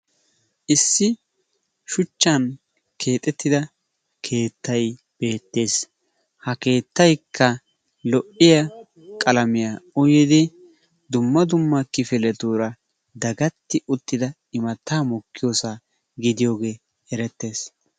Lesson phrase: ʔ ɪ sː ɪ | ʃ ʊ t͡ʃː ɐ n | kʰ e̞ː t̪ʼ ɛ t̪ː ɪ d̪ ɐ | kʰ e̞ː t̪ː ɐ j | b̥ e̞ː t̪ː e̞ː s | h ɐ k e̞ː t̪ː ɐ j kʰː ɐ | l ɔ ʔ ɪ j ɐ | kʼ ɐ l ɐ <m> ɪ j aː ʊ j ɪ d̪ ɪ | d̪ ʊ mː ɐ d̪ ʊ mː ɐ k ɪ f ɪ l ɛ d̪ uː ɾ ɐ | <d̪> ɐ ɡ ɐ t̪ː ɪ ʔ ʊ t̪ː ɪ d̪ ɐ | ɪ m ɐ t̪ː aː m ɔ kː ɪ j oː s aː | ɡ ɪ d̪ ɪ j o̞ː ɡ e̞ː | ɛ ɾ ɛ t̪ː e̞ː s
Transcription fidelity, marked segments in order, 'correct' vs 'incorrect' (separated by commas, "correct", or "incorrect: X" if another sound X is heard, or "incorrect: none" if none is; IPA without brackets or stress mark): correct, correct